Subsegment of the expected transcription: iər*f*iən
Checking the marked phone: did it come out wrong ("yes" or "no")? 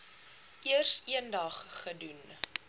yes